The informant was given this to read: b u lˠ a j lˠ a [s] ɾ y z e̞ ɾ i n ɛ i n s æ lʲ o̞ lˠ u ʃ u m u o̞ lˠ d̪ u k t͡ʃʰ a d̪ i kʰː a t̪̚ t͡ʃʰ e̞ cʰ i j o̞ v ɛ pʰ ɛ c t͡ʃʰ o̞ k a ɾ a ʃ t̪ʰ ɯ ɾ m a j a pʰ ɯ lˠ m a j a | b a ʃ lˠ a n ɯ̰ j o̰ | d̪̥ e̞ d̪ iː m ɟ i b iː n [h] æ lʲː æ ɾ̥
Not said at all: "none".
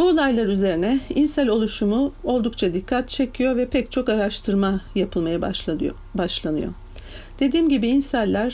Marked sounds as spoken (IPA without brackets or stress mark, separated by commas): none, s